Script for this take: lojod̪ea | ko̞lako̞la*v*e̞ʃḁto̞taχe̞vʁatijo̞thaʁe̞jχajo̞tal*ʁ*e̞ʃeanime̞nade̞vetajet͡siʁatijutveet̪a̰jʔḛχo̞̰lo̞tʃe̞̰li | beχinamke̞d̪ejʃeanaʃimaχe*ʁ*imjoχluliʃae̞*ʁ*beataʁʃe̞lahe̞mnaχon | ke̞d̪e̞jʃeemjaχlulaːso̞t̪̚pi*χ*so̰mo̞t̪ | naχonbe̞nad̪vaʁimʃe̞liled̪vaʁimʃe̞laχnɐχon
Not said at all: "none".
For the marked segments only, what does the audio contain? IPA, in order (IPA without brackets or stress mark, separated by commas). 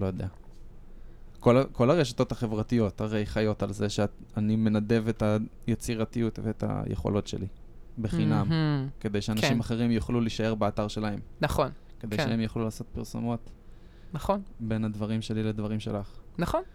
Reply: ʁ, z, ʁ, ʁ, ʁ